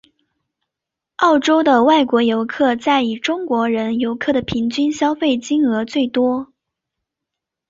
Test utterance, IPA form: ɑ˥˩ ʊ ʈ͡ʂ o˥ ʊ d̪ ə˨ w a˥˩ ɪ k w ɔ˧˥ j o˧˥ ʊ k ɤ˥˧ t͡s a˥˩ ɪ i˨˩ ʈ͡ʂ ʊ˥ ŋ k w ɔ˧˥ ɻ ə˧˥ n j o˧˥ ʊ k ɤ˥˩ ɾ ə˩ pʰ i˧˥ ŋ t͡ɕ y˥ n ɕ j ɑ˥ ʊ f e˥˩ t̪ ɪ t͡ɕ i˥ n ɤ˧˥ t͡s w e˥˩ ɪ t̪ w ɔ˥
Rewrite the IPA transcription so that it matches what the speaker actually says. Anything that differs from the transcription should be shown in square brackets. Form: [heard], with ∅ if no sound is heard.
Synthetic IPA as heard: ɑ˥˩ ʊ ʈ͡ʂ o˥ ʊ d̪ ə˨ w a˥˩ ɪ k w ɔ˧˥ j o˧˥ ʊ [kʰ] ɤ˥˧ t͡s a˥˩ ɪ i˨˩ ʈ͡ʂ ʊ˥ ŋ k w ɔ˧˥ ɻ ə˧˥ n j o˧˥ ʊ [kʰ] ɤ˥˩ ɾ ə˩ pʰ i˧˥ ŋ t͡ɕ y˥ n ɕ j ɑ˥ ʊ f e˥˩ [∅] ɪ t͡ɕ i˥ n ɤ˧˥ t͡s w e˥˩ ɪ t̪ w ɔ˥

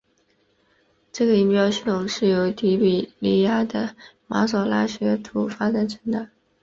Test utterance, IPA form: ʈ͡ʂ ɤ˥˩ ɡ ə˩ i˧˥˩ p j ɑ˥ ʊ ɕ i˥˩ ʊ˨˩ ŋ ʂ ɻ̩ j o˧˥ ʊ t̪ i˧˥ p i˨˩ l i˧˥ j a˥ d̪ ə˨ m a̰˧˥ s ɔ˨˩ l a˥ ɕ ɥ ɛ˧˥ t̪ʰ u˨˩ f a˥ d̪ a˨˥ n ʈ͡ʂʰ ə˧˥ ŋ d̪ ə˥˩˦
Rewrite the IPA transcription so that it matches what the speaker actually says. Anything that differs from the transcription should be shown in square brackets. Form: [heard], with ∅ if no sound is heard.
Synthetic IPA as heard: ʈ͡ʂ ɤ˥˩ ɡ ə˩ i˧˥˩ p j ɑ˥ ʊ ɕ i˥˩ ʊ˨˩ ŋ ʂ ɻ̩ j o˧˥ ʊ t̪ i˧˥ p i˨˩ l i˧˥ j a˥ d̪ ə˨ m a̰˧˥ s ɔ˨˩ l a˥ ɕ ɥ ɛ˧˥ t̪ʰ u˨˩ f a˥ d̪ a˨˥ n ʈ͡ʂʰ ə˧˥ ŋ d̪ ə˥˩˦

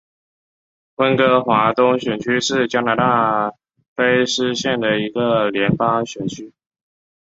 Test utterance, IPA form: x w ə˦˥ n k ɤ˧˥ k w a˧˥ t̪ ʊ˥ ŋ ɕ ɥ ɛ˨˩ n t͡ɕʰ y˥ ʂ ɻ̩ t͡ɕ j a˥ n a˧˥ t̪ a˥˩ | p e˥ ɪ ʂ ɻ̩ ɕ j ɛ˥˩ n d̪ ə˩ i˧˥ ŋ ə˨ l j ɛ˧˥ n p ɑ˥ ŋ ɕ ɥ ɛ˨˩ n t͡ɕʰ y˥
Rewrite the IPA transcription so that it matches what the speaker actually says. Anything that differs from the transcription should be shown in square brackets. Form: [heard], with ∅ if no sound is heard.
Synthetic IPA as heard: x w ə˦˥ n k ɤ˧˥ [x] w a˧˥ t̪ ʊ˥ ŋ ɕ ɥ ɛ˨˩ n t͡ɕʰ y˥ ʂ ɻ̩ t͡ɕ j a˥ n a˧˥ t̪ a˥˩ | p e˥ ɪ ʂ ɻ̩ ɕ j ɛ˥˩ n d̪ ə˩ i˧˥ [ɡ] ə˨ l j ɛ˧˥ n p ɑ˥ ŋ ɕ ɥ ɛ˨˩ n t͡ɕʰ y˥

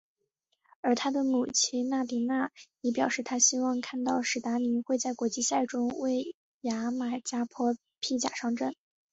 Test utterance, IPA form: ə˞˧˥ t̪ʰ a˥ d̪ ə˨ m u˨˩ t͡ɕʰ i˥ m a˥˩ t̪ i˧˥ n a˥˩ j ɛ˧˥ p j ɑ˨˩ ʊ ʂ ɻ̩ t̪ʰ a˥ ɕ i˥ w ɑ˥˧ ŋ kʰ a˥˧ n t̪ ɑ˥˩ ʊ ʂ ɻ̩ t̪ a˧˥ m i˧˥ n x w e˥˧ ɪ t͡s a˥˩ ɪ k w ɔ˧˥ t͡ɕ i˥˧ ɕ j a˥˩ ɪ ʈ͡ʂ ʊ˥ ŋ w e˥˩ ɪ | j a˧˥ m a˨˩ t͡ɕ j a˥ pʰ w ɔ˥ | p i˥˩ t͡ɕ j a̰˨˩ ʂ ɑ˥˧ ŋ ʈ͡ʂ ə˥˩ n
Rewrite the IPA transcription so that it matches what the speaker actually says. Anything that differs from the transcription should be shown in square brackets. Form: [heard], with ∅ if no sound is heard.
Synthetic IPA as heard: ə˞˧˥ t̪ʰ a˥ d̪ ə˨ m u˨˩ t͡ɕʰ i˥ [n] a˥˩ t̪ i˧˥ n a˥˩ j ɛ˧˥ p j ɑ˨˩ ʊ ʂ ɻ̩ t̪ʰ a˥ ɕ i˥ w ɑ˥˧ ŋ kʰ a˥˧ n t̪ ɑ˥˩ ʊ ʂ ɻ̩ t̪ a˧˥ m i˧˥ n x w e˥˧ ɪ t͡s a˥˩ ɪ k w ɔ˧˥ t͡ɕ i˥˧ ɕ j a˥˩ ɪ ʈ͡ʂ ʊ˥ ŋ w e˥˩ ɪ | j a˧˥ m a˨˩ t͡ɕ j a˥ pʰ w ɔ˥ | [pʰ] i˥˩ t͡ɕ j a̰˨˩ ʂ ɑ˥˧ ŋ ʈ͡ʂ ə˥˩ n

